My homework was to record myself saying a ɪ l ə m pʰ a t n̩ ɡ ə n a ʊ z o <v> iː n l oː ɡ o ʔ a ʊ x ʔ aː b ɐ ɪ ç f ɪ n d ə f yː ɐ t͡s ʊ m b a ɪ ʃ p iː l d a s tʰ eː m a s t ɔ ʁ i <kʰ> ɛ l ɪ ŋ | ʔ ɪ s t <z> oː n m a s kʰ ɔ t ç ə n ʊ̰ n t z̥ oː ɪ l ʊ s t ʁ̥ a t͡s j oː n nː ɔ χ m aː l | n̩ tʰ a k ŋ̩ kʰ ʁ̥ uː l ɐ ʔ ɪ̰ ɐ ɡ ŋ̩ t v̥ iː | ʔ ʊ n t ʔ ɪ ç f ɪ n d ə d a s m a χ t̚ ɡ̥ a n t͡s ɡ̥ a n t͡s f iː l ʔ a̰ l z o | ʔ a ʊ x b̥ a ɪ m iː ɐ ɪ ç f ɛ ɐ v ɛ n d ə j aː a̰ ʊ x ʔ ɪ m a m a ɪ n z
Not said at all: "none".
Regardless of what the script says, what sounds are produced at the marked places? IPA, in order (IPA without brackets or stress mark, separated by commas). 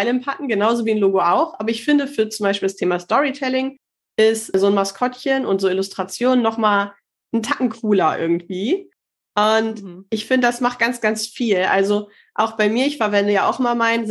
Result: v, tʰ, z